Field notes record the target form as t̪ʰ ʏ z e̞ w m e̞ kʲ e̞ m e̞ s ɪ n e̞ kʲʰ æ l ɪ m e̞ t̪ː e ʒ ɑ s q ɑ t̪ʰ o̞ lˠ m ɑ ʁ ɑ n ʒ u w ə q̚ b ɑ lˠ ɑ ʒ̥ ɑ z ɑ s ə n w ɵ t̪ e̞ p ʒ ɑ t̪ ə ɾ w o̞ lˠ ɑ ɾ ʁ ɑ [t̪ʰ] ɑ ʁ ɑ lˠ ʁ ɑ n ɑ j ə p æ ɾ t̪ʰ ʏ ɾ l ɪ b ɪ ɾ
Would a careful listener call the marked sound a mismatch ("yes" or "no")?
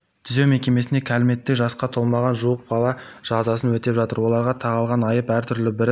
no